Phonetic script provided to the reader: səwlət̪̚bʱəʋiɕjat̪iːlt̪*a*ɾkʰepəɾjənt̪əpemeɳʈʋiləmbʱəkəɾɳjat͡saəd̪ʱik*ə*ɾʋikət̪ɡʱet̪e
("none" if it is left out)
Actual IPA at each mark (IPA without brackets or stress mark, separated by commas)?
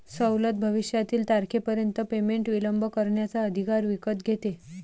a, a